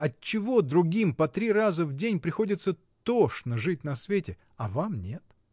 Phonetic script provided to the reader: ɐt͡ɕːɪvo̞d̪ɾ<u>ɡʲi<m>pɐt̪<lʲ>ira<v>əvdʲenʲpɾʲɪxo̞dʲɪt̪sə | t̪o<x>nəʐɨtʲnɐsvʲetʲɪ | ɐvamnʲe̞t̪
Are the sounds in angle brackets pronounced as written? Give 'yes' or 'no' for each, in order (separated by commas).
no, yes, no, no, no